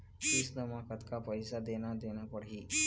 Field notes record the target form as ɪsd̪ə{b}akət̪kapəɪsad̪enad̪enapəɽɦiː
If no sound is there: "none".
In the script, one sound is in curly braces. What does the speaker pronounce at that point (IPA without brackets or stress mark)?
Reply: m